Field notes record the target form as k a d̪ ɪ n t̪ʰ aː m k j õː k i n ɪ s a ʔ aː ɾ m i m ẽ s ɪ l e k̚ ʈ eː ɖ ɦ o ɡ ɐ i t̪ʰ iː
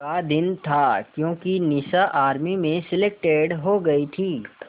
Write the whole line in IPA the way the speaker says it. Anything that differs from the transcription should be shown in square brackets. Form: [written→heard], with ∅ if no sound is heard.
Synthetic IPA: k a d̪ ɪ n t̪ʰ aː [m→∅] k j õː k i n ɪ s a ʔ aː ɾ m i m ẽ s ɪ l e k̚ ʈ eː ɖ ɦ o ɡ ɐ i t̪ʰ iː